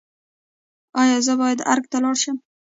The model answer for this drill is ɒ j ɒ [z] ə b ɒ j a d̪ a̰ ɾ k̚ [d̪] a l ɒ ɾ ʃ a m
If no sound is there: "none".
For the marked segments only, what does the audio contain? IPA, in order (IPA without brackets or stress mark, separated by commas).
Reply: z, t̪